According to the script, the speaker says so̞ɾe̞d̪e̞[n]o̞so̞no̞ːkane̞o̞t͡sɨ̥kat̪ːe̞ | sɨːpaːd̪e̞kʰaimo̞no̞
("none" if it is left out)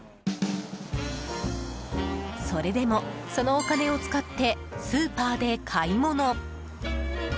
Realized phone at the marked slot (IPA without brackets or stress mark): m